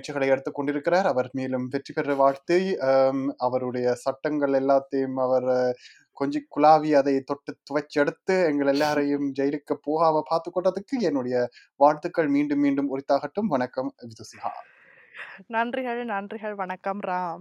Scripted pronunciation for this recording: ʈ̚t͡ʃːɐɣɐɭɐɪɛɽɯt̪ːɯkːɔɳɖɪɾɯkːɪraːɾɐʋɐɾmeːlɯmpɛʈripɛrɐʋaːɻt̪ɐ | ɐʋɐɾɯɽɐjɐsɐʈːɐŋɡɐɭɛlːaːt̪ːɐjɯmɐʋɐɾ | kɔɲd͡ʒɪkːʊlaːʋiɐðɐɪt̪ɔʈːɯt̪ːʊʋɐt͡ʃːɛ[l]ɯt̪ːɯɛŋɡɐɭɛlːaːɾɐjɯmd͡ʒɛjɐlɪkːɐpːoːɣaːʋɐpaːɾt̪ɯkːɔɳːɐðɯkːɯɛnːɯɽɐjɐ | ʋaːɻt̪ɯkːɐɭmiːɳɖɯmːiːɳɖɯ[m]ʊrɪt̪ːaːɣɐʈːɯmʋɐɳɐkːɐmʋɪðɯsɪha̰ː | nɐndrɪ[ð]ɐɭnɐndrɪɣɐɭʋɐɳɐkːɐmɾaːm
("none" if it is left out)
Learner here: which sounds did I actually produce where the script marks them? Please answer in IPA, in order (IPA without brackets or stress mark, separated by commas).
ɽ, m, ɣ